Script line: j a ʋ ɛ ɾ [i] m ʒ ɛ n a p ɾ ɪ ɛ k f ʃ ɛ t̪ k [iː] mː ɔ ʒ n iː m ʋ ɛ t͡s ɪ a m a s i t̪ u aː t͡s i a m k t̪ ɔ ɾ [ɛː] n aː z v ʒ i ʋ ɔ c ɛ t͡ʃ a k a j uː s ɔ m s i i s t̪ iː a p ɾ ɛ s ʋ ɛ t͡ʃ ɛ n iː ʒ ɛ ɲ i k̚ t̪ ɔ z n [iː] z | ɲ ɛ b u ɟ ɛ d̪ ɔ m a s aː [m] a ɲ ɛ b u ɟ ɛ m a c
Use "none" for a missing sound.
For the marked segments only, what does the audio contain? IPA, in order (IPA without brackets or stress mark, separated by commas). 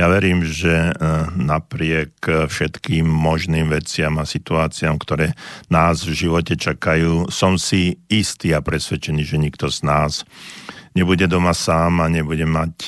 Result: iː, iː, ɛː, aː, m